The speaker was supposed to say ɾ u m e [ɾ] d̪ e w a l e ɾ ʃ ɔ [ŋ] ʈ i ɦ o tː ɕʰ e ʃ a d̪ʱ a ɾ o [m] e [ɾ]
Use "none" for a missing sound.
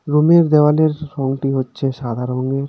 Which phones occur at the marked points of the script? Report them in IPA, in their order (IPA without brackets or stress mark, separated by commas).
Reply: ɾ, ŋ, ŋ, ɾ